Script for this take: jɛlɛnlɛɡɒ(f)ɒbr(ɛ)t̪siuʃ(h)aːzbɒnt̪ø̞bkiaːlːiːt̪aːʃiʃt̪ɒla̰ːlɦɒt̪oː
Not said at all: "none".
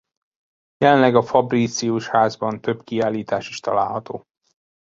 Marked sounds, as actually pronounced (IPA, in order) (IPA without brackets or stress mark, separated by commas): f, i, h